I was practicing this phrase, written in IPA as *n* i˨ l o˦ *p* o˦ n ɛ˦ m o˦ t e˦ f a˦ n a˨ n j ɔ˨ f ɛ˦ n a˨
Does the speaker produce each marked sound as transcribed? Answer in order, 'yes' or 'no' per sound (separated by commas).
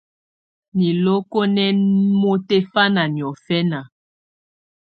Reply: yes, no